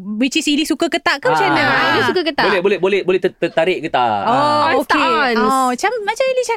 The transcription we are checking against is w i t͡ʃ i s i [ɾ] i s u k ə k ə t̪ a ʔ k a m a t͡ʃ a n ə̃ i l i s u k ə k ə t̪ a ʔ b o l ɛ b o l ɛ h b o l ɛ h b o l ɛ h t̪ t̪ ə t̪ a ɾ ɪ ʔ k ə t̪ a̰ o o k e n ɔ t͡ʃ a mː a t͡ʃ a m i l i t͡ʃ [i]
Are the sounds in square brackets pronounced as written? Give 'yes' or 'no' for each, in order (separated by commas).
no, no